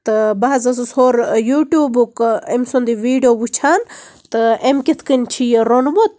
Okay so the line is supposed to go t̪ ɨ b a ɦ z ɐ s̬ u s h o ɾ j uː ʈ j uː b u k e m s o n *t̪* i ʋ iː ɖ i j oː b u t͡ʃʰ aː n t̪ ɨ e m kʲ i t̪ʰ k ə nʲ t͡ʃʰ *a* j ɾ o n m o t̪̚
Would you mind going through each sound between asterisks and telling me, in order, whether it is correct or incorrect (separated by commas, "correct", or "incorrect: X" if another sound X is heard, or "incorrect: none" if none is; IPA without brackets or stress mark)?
incorrect: d̪, incorrect: i